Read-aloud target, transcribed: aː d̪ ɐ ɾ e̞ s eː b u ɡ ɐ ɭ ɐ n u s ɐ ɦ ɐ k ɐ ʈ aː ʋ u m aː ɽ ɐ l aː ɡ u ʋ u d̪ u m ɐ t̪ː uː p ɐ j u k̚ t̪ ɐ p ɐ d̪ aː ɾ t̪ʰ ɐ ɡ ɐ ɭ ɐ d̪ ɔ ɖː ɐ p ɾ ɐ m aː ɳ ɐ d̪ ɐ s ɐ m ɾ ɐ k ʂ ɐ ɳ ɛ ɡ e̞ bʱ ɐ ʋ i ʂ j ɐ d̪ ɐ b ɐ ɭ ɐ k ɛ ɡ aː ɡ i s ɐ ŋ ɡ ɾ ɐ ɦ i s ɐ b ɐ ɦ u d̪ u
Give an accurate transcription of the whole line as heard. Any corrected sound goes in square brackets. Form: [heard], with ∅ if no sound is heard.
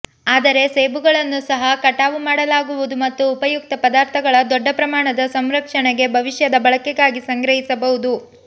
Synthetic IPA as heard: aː d̪ ɐ ɾ e̞ s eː b u ɡ ɐ ɭ ɐ [nː] u s ɐ ɦ ɐ k ɐ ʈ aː ʋ u m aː ɽ ɐ l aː ɡ u ʋ u d̪ u m ɐ t̪ː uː p ɐ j u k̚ t̪ ɐ p ɐ d̪ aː ɾ t̪ʰ ɐ ɡ ɐ ɭ ɐ d̪ ɔ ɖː ɐ p ɾ ɐ m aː ɳ ɐ d̪ ɐ s ɐ m ɾ ɐ k ʂ ɐ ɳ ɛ ɡ e̞ bʱ ɐ ʋ i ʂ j ɐ d̪ ɐ b ɐ ɭ ɐ k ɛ ɡ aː ɡ i s ɐ ŋ ɡ ɾ ɐ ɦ i s ɐ b ɐ ɦ u d̪ u